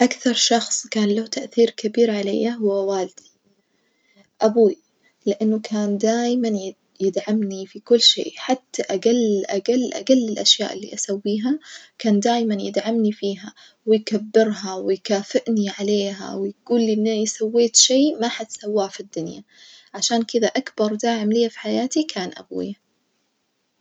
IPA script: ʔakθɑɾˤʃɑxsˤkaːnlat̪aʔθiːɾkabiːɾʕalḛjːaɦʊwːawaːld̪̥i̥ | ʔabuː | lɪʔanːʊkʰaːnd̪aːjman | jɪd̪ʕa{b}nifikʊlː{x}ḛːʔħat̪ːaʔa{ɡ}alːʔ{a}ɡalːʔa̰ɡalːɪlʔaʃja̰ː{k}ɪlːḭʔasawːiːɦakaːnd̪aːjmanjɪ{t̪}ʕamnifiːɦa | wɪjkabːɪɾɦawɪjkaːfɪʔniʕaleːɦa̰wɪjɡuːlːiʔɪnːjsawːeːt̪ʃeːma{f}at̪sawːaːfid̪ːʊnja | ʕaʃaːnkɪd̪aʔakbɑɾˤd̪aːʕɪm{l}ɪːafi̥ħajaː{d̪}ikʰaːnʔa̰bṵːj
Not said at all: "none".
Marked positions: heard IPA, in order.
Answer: m, ʃ, ɡ, a, ʔ, d̪, ħ, l, t̪

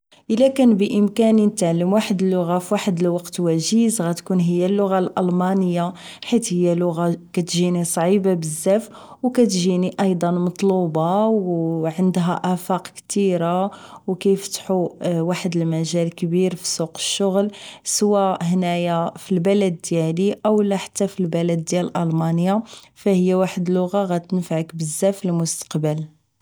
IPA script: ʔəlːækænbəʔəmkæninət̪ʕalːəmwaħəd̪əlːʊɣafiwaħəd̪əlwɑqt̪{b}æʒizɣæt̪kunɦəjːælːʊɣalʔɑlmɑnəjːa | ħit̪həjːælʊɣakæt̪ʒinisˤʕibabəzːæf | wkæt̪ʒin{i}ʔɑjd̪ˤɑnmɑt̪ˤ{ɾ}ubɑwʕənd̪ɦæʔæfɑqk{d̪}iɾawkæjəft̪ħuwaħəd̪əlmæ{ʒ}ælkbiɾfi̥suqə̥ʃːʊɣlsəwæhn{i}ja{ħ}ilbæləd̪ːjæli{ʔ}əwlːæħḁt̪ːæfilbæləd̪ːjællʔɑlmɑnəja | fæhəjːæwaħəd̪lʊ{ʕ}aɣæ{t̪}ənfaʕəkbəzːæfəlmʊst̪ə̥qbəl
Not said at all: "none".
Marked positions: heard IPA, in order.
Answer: w, i, l, t̪, ʒ, æ, f, ʔ, ɣ, t̪

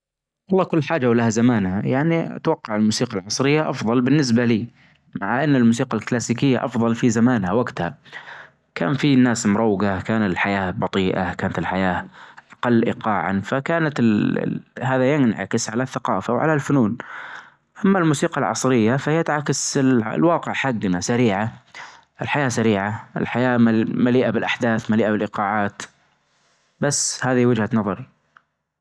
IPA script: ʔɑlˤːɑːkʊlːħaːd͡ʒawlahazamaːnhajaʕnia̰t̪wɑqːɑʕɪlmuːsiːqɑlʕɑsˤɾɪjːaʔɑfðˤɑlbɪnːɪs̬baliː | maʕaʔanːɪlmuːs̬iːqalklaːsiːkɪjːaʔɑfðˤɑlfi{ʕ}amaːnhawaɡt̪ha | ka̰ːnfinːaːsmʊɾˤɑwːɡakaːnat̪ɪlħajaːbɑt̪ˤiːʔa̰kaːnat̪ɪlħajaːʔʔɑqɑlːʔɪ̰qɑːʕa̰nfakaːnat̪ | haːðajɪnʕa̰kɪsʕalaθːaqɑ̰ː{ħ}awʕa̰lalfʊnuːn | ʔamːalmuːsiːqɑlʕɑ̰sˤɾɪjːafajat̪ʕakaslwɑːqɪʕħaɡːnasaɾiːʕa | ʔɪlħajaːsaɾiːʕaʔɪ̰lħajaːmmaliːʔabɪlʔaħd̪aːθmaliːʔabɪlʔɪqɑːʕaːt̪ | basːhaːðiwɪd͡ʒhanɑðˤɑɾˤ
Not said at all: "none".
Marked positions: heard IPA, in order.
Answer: z, f

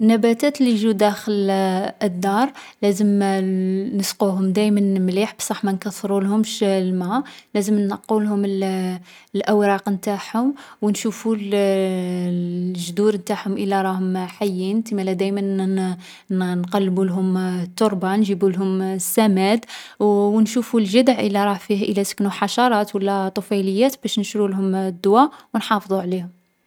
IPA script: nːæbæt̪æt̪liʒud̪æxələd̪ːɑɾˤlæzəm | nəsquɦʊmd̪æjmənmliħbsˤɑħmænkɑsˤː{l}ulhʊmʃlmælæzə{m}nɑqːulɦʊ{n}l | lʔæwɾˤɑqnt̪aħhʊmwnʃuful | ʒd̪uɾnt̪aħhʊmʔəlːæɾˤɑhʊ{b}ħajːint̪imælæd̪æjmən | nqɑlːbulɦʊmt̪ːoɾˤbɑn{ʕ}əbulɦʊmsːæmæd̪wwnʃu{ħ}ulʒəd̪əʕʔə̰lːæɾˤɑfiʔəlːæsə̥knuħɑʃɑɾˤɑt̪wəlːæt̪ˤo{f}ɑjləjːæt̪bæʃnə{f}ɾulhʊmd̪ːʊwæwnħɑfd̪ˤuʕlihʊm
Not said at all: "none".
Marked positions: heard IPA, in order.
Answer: ɾ, m, m, m, ʒ, f, f, ʃ

